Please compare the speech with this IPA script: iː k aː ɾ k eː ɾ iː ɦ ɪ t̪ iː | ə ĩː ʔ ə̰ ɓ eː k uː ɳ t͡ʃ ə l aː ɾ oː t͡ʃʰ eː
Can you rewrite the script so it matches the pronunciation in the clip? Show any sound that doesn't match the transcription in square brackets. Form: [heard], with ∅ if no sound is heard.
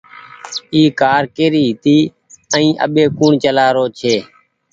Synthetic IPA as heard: iː k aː ɾ k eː ɾ iː ɦ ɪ t̪ iː | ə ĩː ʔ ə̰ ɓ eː k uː ɳ t͡ʃ ə l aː ɾ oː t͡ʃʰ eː